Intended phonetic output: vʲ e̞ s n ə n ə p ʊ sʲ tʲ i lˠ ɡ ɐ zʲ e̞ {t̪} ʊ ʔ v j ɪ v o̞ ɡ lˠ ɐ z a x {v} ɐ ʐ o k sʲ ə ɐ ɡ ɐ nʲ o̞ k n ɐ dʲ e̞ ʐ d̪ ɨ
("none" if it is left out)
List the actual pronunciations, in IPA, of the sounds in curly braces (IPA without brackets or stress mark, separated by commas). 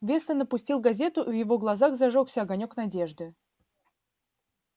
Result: t̪, z